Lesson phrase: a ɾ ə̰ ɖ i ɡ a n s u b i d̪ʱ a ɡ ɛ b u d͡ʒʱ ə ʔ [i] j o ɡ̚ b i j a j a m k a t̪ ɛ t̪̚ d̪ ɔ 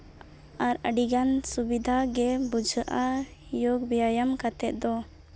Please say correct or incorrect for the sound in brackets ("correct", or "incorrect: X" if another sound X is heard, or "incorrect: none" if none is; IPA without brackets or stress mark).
incorrect: a